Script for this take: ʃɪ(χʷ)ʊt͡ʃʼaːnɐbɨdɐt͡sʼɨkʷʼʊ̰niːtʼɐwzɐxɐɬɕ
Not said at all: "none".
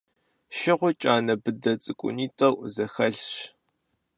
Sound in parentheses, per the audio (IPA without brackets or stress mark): ʁʷ